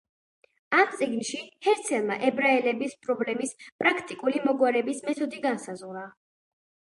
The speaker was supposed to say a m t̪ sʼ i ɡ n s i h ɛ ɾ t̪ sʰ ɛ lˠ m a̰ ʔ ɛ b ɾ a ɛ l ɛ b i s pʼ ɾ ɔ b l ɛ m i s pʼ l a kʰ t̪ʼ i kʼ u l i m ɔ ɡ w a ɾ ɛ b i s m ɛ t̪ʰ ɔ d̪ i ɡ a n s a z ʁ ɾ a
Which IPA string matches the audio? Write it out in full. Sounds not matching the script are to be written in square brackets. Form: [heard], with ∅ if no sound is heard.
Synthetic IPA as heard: a m t̪ sʼ i ɡ n [ʃ] i h ɛ ɾ t̪ sʰ ɛ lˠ m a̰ ʔ ɛ b ɾ a ɛ l ɛ b i s pʼ ɾ ɔ b l ɛ m i s pʼ [ɾ] a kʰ t̪ʼ i kʼ u l i m ɔ ɡ w a ɾ ɛ b i s m ɛ t̪ʰ ɔ d̪ i ɡ a n s a z ʁ ɾ a